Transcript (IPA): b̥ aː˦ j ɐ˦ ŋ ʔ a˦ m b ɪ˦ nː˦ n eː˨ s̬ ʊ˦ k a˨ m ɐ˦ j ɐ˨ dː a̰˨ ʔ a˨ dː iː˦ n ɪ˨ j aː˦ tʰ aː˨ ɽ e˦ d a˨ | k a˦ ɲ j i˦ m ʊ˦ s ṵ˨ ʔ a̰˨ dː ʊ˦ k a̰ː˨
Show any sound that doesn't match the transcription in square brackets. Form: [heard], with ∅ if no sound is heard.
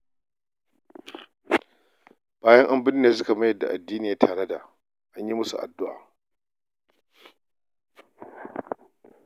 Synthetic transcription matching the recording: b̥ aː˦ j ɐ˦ ŋ ʔ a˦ m b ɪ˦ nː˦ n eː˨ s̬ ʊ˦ k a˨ m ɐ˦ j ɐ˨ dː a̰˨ ʔ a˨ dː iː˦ n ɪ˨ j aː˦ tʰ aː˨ ɽ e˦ d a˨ | [ʔ] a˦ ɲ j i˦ m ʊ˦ s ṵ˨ ʔ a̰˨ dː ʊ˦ [ʔ] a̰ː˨